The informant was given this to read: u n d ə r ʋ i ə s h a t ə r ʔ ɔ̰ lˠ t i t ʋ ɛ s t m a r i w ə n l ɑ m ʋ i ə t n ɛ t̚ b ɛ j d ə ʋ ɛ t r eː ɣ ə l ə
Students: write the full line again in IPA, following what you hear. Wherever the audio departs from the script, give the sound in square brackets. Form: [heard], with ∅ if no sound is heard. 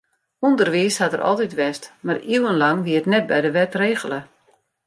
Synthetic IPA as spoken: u n d ə r ʋ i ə s h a t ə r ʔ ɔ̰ lˠ t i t ʋ ɛ s t m a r i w ə n l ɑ [ŋ] ʋ i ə t n ɛ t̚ b ɛ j d ə ʋ ɛ t r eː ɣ ə l ə